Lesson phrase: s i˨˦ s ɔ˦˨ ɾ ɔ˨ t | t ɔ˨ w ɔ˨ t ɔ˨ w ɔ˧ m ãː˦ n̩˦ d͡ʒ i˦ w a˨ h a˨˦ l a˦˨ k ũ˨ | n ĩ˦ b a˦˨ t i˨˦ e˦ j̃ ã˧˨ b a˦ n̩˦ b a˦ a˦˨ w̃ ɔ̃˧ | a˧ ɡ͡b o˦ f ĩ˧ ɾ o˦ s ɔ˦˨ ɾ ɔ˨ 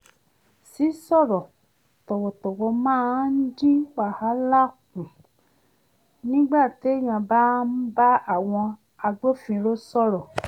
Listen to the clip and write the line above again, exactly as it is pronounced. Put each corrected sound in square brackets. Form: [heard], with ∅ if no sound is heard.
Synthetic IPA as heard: s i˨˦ s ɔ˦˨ ɾ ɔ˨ [∅] | t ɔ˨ w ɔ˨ t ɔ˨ w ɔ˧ m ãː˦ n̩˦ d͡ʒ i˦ w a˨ h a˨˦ l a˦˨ k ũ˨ | n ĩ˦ [ɡ͡b] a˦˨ t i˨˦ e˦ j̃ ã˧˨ b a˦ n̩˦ b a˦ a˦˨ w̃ ɔ̃˧ | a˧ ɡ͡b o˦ f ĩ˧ ɾ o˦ s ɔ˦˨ ɾ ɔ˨